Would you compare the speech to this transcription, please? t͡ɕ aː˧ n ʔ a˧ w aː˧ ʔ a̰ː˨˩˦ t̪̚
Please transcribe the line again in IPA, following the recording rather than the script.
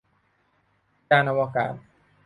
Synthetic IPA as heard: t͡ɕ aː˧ n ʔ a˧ w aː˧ k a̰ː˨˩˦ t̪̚